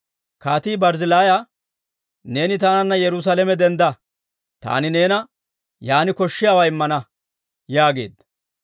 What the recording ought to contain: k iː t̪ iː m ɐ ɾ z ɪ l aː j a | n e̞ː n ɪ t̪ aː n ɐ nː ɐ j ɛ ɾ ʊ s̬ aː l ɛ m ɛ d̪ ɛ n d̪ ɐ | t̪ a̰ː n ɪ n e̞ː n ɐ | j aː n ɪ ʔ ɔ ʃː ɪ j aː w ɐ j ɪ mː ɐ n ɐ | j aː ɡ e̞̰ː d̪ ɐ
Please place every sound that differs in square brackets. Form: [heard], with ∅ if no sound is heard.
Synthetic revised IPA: k [aː] t̪ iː [b] ɐ ɾ z ɪ l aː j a | n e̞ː n ɪ t̪ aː n ɐ nː ɐ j ɛ ɾ ʊ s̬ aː l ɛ m ɛ d̪ ɛ n d̪ ɐ | t̪ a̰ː n ɪ n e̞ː n ɐ | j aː n ɪ [k] ɔ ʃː ɪ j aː w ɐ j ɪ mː ɐ n ɐ | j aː ɡ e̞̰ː d̪ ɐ